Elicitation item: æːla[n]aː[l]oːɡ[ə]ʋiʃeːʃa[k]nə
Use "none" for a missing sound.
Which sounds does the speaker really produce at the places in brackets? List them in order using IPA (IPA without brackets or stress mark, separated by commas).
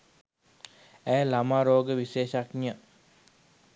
m, ɾ, ə, k